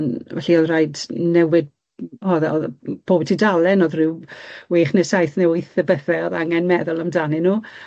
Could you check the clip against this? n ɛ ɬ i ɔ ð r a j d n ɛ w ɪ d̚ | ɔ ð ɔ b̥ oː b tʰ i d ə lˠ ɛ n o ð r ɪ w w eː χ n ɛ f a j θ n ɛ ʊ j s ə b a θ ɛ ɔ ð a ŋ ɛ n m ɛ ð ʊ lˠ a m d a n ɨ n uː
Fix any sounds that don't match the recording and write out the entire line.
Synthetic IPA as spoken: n ɛ ɬ i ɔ ð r a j d n ɛ w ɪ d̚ | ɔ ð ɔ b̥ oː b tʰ i d a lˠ ɛ n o ð r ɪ w w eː χ n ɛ s a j θ n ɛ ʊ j θ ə b ə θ ɛ ɔ ð a ŋ ɛ n m ɛ ð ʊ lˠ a m d a n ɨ n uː